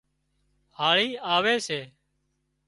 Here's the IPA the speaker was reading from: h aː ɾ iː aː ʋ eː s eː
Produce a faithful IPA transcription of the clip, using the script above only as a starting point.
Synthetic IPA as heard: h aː ɭ iː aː ʋ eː s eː